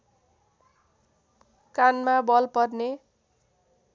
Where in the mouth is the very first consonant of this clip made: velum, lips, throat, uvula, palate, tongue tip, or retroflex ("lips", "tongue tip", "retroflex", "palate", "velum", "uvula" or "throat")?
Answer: velum